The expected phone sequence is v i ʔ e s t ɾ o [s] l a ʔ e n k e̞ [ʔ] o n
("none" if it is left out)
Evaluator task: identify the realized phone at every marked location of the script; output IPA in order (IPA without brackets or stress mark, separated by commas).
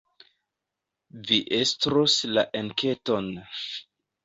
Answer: s, t